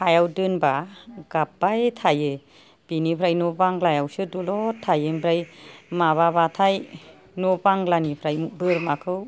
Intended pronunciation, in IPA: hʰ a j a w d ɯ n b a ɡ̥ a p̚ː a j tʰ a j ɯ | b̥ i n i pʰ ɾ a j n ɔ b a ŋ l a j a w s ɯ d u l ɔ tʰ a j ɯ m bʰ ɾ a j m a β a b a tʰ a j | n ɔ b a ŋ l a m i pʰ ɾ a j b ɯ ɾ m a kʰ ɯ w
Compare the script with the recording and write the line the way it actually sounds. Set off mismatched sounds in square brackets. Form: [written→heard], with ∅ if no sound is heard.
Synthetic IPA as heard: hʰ a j a w d ɯ n b a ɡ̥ a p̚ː a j tʰ a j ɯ | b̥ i n i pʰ ɾ a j n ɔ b a ŋ l a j a w s ɯ d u l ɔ tʰ a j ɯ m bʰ ɾ a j m a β a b a tʰ a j | n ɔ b a ŋ l a [m→n] i pʰ ɾ a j b ɯ ɾ m a kʰ ɯ w